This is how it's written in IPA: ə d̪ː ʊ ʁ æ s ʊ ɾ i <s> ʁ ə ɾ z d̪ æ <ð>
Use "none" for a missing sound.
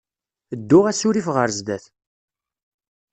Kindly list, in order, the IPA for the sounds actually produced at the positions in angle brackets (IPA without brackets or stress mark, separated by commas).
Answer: f, θ